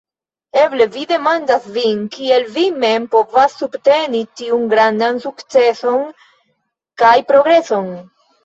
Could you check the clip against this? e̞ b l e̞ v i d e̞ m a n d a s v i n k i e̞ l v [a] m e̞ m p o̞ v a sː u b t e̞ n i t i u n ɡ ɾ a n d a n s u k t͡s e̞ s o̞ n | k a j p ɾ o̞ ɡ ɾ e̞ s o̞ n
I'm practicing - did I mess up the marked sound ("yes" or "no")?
yes